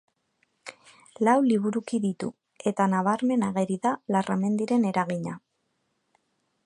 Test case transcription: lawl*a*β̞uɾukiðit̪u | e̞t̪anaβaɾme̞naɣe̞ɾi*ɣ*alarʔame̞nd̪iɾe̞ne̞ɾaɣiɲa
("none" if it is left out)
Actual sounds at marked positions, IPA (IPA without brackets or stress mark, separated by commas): i, ð